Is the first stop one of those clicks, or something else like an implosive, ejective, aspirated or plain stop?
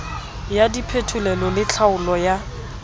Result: plain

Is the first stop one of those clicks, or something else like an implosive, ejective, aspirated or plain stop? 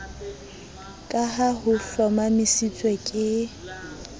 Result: ejective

